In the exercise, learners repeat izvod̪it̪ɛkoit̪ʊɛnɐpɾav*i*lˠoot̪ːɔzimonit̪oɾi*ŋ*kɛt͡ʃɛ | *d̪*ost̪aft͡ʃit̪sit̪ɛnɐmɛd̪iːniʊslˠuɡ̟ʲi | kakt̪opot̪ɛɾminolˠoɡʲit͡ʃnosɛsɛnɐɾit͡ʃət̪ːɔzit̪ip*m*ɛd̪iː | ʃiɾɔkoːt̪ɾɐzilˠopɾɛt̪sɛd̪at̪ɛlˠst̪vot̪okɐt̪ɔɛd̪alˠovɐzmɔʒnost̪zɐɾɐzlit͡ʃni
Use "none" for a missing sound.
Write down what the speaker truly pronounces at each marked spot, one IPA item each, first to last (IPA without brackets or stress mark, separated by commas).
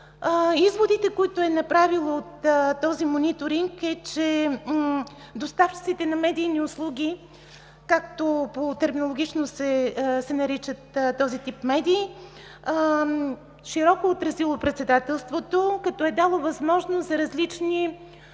i, ŋ, d̪, m